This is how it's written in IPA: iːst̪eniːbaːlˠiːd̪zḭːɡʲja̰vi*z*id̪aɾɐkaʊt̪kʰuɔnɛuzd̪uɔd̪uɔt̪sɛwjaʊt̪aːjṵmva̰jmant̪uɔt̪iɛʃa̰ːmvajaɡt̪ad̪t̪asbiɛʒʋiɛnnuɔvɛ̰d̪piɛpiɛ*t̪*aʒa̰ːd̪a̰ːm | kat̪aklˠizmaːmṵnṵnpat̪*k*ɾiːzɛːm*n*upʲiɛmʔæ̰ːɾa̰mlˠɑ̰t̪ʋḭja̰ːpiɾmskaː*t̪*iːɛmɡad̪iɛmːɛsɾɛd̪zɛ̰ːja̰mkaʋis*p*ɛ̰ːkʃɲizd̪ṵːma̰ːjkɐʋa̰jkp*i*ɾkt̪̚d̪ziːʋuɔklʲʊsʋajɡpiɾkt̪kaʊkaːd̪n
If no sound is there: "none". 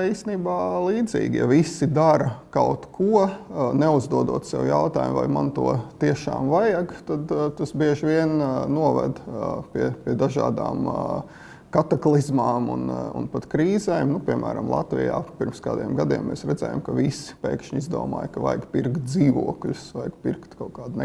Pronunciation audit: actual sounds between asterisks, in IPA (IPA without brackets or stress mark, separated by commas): s, d̪, k, n, d̪, p, i